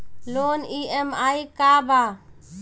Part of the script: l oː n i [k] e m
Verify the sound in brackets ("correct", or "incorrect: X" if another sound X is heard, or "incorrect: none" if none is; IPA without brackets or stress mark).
incorrect: none